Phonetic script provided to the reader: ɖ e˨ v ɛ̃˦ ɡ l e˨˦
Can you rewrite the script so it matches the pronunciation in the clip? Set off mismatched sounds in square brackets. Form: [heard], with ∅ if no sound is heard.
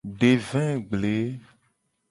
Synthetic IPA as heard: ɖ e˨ v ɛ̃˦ [ɡ͡b] l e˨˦

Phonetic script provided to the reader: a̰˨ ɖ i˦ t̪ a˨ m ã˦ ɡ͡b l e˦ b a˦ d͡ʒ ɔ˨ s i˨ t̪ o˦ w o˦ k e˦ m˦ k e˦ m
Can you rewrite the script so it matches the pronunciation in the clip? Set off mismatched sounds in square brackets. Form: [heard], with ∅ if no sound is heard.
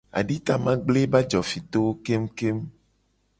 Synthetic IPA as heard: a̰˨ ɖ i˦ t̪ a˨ m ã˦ ɡ͡b l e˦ b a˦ d͡ʒ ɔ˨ [f] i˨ t̪ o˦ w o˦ k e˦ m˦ k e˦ m

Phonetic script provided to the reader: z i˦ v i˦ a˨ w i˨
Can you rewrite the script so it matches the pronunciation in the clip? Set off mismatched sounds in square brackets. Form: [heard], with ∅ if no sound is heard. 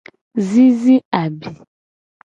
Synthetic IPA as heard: z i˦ [z] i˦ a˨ [b] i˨

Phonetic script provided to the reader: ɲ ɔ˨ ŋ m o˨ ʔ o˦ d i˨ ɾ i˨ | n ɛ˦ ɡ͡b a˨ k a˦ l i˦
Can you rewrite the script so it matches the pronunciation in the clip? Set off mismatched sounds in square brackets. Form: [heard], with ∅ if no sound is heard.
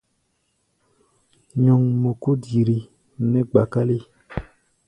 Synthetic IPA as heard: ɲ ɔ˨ ŋ m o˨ [k] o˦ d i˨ ɾ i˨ | n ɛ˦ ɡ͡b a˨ k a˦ l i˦

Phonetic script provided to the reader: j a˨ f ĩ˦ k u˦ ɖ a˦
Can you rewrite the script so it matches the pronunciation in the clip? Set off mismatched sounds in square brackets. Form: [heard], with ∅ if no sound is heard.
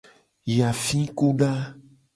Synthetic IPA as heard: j a˨ f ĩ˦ k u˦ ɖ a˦

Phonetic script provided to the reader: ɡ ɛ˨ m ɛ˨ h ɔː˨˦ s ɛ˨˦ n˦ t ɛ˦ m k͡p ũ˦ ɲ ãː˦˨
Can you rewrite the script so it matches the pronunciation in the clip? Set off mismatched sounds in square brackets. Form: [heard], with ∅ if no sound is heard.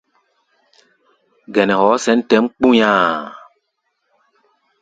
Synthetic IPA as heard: ɡ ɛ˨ [n] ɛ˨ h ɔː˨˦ s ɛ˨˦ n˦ t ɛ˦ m k͡p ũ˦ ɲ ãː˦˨

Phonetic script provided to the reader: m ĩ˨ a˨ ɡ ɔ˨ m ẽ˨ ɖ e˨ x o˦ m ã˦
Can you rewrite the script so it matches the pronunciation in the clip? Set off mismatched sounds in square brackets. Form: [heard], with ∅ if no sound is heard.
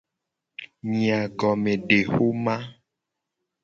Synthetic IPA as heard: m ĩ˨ a˨ ɡ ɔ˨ m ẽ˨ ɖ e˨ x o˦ m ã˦

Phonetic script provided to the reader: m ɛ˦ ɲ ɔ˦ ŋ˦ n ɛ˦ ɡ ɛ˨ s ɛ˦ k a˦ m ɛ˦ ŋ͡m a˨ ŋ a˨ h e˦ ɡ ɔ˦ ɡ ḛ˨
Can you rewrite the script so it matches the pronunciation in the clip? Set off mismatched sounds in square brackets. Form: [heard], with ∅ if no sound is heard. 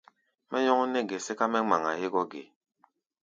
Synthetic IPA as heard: m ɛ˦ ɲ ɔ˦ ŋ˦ n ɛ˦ ɡ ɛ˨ s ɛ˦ k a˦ m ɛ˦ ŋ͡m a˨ ŋ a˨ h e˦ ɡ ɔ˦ ɡ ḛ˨

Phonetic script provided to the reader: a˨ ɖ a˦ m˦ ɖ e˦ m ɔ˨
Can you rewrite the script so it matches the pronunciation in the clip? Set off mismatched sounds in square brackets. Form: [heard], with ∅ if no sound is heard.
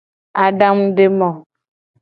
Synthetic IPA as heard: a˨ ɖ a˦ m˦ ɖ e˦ m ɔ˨

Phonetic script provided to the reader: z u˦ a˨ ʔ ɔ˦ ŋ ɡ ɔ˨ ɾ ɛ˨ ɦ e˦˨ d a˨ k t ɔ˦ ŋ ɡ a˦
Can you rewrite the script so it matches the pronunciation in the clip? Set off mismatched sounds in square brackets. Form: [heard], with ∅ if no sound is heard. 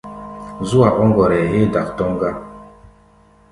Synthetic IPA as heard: z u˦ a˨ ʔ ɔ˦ ŋ ɡ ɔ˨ ɾ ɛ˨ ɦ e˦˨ d a˨ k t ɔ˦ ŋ ɡ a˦

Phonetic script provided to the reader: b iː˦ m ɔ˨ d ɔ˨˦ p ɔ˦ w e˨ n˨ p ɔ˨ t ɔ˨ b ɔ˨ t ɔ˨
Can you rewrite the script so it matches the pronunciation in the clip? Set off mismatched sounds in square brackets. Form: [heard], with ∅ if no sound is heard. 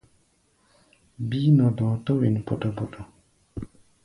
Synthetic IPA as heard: b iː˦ [n] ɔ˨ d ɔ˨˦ [t] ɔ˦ w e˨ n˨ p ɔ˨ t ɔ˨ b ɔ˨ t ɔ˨

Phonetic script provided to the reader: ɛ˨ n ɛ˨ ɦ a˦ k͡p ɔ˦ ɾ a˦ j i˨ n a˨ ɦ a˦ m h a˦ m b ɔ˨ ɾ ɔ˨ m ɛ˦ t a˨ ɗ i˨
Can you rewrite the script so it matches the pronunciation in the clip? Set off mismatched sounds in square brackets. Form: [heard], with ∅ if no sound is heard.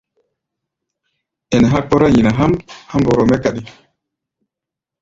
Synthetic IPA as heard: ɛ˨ n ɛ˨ ɦ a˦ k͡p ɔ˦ ɾ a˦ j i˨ n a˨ ɦ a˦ m h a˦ m b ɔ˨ ɾ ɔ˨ m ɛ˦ [k] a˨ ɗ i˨

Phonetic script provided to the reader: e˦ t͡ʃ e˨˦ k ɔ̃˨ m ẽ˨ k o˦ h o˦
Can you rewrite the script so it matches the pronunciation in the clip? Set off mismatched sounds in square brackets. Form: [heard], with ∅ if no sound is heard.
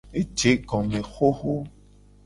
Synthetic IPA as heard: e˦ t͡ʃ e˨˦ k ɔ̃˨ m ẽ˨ [x] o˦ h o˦

